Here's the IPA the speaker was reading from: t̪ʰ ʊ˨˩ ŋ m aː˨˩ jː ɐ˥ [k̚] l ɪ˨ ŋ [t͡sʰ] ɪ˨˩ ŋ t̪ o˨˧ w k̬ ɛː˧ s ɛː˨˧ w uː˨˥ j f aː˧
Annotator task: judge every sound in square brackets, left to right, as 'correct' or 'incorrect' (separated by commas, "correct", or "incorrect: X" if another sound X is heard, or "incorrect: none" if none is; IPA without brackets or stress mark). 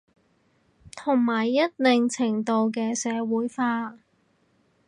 incorrect: t̚, correct